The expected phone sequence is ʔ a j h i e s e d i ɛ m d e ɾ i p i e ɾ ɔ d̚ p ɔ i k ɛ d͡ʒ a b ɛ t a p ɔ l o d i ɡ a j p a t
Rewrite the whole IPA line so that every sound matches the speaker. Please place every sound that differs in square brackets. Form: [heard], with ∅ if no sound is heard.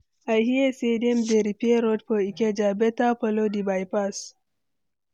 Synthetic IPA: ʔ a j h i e s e d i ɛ m d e ɾ i p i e ɾ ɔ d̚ p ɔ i k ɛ d͡ʒ a b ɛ t a p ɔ l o d i [b] a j p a [s]